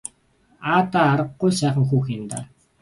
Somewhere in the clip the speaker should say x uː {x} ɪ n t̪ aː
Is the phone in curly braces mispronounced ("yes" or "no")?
no